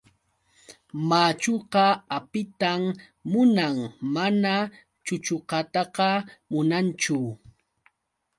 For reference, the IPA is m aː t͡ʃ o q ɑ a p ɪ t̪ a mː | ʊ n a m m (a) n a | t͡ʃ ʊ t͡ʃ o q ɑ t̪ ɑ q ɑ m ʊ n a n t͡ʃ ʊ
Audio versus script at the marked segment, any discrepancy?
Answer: no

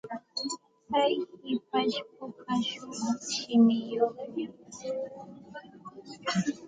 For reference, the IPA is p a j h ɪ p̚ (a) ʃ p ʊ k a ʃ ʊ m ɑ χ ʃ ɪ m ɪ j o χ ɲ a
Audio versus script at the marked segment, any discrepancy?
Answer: no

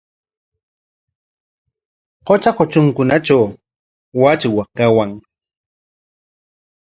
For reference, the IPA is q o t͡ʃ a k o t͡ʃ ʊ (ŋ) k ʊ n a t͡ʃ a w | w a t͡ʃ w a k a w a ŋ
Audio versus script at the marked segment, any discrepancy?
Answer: no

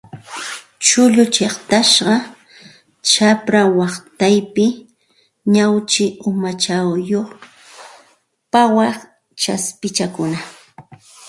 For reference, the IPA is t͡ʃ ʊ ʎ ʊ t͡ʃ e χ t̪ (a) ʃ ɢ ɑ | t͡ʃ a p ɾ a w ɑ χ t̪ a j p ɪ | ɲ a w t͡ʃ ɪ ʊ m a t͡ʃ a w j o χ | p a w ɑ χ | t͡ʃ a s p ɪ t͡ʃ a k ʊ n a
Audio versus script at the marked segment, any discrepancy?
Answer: no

